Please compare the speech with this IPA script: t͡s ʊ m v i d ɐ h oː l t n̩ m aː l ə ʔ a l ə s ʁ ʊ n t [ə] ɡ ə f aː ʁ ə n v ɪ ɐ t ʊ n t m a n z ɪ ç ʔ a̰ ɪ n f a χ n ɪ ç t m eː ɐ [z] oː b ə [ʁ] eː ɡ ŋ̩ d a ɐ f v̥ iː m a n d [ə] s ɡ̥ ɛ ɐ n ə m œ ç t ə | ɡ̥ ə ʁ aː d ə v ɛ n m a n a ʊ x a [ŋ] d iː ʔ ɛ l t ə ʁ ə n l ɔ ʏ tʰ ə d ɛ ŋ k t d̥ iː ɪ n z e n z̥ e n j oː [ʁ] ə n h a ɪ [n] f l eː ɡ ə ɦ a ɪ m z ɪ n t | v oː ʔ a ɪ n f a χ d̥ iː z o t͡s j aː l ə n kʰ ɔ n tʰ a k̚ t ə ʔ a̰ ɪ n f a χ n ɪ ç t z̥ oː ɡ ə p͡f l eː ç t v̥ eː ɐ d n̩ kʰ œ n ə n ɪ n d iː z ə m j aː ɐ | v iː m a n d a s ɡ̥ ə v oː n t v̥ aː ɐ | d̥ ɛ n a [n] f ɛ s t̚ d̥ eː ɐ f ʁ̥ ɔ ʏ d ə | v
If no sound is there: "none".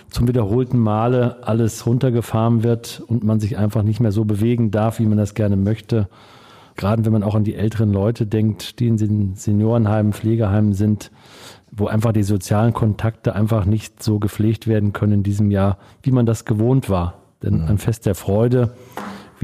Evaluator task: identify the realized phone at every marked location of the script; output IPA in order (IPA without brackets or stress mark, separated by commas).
ɐ, z, v, a, n, ʁ, m, n